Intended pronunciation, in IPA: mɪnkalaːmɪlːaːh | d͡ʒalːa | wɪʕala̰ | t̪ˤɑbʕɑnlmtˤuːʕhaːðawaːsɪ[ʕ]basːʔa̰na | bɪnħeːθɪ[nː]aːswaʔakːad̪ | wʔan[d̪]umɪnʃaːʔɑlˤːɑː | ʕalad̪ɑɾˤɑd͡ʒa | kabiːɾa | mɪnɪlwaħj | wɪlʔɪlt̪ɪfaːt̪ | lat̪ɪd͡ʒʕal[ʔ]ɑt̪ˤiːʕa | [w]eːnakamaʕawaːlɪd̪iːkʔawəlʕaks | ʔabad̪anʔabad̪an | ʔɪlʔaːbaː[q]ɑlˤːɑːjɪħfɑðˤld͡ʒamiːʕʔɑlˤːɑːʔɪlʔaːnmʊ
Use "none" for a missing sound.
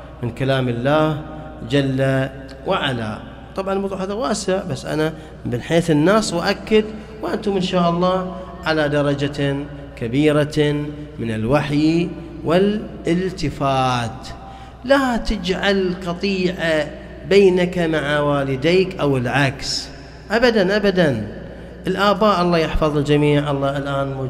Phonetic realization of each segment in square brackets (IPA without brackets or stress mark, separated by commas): ʕ, nː, t̪, q, b, ʔ